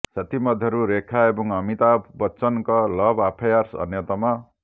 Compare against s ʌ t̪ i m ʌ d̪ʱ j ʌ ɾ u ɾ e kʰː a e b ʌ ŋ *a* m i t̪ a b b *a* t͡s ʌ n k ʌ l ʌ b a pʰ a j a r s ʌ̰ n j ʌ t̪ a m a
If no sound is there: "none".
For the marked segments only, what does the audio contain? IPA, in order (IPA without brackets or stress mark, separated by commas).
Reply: ʌ, ʌ